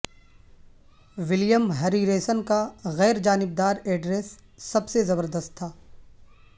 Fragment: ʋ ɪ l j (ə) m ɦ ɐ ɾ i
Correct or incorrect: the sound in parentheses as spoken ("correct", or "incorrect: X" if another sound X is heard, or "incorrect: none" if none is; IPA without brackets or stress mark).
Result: correct